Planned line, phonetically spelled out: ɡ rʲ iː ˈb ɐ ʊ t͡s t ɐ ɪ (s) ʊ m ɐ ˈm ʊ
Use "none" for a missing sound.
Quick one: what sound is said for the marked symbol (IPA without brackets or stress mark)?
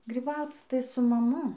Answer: s